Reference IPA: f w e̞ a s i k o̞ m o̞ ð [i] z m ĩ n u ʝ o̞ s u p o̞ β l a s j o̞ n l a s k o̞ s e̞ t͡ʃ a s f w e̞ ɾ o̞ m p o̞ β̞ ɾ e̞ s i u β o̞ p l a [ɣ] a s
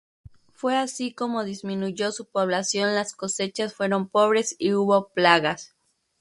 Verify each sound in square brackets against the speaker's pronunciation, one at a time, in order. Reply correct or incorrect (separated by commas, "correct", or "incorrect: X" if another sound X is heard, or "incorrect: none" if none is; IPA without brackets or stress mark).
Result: correct, correct